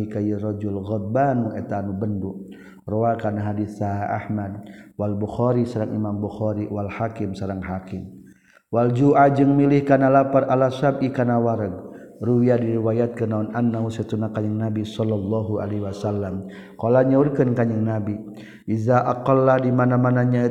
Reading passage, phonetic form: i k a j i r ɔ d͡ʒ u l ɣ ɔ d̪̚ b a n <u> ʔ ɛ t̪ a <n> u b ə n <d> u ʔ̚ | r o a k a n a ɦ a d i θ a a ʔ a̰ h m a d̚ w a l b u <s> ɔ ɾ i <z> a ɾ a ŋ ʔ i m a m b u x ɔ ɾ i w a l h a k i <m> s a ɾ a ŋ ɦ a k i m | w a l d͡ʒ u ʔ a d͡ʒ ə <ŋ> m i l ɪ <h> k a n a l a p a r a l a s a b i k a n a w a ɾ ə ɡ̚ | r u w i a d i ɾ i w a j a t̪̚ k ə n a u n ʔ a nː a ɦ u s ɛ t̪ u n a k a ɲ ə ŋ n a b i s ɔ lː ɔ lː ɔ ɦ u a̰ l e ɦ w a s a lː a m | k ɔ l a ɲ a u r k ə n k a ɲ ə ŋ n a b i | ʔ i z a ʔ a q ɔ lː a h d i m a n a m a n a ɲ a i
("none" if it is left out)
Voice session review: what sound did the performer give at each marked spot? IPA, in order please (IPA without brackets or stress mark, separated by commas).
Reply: u, n, d, x, s, m, ŋ, h